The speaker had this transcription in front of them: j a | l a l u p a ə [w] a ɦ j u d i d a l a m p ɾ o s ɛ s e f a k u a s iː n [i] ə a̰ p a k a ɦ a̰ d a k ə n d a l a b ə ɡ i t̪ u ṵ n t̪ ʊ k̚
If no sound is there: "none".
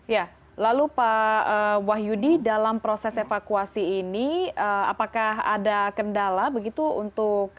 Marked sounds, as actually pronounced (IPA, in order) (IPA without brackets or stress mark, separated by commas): w, i